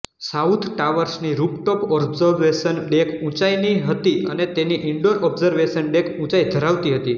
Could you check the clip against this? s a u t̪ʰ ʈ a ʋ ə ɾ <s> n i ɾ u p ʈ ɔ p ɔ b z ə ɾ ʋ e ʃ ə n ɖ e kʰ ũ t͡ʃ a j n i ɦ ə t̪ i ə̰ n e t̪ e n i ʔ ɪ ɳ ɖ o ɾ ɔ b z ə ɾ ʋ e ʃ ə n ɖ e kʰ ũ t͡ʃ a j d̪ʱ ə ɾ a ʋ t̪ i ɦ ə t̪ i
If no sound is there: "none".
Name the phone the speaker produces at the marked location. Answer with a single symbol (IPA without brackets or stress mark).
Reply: s